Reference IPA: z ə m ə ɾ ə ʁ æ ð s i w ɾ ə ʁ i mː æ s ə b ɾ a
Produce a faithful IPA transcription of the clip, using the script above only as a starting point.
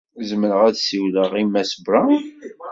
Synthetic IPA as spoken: z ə m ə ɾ ə ʁ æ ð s i w l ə ʁ i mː æ s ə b ɾ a